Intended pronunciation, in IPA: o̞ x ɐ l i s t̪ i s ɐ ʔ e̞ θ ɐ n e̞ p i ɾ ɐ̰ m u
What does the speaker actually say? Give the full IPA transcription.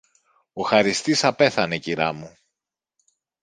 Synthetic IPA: o̞ x ɐ ɾ i s t̪ i s ɐ p e̞ θ ɐ n e̞ c i ɾ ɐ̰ m u

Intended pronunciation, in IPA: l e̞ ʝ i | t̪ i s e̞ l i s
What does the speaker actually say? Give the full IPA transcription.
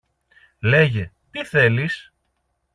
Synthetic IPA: l e̞ ʝ e | t̪ i θ e̞ l i s

